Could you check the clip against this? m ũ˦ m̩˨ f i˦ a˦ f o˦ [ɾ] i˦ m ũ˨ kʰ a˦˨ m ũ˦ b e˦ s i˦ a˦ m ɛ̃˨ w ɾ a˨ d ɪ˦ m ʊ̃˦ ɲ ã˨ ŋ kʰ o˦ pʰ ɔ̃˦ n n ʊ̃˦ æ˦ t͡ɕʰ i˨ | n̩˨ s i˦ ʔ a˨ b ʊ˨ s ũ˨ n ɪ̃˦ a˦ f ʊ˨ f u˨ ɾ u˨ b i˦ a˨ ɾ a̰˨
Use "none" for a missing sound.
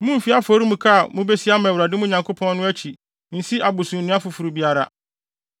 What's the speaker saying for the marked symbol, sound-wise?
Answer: ɾ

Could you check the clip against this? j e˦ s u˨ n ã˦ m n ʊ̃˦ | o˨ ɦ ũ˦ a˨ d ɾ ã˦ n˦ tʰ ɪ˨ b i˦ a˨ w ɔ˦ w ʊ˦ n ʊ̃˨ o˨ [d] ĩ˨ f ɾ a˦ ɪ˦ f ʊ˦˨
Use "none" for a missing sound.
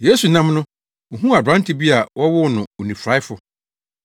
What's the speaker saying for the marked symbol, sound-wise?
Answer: n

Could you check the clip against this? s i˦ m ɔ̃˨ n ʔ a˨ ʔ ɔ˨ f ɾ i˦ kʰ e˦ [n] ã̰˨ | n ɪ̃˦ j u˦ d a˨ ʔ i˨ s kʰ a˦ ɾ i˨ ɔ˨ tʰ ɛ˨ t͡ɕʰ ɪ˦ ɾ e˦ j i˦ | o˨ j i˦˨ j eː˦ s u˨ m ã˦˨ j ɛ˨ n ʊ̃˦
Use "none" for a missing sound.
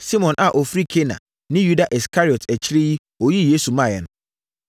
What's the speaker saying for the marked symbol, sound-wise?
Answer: n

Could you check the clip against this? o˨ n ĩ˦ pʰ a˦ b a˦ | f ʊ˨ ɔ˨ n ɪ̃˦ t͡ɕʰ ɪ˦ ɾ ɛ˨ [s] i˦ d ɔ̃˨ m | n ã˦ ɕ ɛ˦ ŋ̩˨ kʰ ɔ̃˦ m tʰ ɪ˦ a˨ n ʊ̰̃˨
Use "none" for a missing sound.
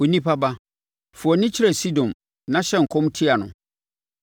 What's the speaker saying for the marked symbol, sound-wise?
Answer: s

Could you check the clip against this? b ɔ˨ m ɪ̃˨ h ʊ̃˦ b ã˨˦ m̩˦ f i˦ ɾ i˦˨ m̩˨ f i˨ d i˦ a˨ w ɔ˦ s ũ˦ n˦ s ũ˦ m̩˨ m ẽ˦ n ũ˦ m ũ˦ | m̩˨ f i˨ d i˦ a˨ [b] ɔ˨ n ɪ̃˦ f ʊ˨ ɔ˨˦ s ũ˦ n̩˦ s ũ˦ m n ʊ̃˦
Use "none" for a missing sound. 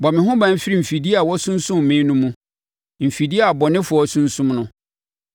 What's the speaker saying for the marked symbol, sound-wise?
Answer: b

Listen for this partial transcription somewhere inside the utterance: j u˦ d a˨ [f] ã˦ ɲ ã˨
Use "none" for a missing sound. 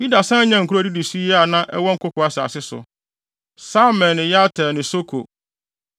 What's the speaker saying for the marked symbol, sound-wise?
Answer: s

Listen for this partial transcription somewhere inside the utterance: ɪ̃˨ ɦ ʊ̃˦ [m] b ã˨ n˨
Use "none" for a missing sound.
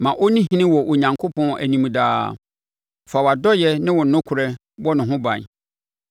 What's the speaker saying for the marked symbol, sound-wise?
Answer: none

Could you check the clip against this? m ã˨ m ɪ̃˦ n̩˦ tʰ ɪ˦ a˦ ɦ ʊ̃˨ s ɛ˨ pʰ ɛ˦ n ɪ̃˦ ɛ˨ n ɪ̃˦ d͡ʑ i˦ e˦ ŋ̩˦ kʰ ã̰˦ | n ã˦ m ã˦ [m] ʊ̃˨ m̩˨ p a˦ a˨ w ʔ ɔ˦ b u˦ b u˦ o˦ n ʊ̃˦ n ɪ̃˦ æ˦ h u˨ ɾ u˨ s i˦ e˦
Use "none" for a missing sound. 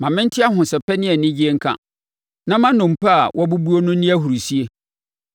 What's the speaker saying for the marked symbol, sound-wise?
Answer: n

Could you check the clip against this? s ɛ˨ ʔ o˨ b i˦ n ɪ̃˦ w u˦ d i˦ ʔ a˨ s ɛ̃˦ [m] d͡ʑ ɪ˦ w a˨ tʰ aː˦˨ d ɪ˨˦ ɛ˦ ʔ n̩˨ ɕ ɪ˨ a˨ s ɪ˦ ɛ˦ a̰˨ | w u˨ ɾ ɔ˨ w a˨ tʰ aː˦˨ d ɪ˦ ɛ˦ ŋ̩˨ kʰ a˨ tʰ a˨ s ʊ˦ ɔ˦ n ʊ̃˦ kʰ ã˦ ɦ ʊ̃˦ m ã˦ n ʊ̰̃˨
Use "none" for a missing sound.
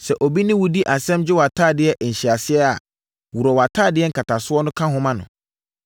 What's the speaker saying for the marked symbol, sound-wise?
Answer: m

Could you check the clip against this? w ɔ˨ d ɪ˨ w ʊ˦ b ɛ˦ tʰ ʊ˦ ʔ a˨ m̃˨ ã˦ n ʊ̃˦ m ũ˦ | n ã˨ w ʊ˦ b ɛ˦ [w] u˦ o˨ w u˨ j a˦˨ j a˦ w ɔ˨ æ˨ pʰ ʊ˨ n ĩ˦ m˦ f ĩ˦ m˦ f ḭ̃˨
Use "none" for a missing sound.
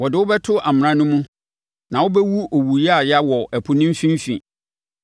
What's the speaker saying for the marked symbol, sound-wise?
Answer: w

